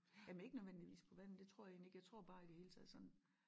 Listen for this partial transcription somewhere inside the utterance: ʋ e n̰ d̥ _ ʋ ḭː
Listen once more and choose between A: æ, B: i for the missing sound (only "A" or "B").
B